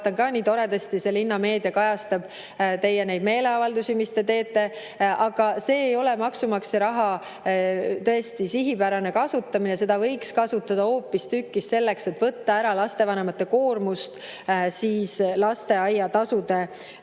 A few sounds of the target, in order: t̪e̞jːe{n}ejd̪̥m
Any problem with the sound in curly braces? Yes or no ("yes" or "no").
no